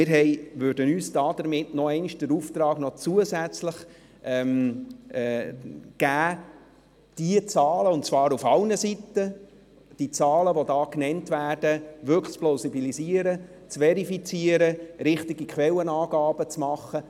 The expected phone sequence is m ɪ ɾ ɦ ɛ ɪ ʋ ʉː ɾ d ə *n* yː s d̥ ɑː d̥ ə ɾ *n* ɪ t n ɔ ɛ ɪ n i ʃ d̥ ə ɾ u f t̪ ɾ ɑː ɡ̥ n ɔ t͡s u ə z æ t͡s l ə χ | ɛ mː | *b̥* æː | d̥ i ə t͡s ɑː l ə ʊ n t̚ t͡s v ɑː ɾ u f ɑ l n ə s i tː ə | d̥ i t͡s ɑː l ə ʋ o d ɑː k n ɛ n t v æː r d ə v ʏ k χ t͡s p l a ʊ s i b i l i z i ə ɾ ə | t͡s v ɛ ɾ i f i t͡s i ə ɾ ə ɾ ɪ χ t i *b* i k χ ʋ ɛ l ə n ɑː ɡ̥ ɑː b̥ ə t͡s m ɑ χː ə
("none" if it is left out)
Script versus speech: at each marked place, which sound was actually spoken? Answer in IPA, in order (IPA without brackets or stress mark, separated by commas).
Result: n, m, ɡ̥, ɡ